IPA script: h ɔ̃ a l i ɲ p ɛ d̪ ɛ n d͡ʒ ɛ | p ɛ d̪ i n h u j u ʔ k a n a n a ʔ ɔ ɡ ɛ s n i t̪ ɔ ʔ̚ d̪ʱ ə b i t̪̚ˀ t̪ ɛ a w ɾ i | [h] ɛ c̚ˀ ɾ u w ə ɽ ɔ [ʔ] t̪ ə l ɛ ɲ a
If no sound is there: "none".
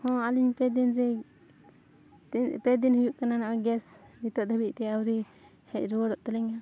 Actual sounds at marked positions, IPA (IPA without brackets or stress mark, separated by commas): h, ʔ